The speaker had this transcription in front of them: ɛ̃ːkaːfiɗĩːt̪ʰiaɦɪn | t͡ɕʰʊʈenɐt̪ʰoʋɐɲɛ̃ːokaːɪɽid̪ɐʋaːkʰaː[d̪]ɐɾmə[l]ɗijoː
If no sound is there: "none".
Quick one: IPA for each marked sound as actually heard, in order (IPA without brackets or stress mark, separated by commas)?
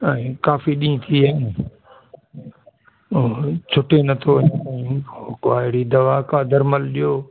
d̪, l